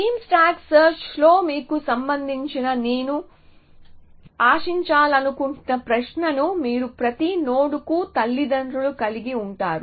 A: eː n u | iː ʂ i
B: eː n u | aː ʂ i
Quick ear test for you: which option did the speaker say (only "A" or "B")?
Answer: B